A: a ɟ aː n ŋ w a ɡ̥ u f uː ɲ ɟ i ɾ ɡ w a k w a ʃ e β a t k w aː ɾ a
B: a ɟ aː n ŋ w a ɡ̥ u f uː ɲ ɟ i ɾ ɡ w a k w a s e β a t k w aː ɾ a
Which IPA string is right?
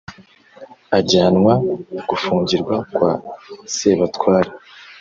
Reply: B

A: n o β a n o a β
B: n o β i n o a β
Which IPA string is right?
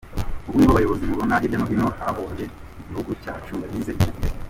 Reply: B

